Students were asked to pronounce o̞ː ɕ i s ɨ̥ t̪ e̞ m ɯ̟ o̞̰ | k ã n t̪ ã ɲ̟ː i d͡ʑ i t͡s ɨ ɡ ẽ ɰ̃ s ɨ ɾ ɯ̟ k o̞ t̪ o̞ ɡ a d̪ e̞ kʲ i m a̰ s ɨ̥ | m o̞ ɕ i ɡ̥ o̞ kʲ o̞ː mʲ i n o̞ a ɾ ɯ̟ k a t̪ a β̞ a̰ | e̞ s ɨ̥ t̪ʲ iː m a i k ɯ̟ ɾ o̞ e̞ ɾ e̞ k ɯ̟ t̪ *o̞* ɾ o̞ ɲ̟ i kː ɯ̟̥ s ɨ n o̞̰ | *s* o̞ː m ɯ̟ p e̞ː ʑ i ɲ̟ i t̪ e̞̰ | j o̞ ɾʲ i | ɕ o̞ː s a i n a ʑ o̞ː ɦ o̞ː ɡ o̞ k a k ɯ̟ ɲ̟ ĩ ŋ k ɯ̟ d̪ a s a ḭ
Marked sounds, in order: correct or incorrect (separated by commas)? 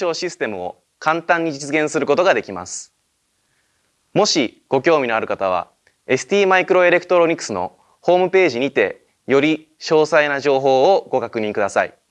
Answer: correct, incorrect